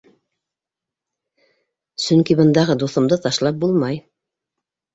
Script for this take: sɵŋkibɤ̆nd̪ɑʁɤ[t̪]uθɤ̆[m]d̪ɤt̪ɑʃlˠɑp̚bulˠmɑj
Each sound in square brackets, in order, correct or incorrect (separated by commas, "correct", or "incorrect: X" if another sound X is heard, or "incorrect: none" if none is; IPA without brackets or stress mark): incorrect: d̪, correct